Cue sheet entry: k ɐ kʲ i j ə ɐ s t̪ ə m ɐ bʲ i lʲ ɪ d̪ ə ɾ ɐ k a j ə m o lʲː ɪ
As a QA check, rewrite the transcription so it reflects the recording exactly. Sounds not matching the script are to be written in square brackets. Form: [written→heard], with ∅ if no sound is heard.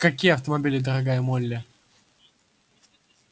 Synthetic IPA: k ɐ kʲ i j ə ɐ [s→f] t̪ ə m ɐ bʲ i lʲ ɪ d̪ ə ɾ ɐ [k→ɡ] a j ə m o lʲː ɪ